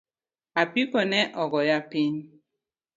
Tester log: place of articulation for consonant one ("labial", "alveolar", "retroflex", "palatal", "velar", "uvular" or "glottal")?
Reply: labial